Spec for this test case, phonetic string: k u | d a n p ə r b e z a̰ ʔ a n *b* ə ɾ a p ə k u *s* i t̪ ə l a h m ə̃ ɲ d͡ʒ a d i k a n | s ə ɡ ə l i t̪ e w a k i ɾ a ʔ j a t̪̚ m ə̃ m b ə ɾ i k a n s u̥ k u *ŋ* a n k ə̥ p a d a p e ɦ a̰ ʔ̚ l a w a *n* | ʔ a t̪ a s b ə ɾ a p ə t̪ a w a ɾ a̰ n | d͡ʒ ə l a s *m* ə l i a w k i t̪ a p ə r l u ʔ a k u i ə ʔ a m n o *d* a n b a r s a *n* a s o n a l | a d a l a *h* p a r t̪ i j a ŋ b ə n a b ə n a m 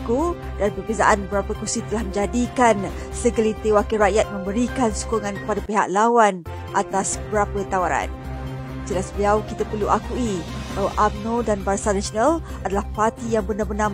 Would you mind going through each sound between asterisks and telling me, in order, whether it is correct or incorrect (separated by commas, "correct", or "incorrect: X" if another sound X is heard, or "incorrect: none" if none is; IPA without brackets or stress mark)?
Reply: correct, correct, correct, correct, incorrect: b, correct, correct, correct